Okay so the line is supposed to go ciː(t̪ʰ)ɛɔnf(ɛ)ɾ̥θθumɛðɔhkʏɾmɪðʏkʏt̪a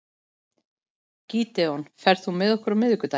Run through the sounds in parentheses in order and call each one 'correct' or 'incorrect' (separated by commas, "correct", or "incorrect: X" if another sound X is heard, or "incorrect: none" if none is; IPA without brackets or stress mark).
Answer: incorrect: t̪, correct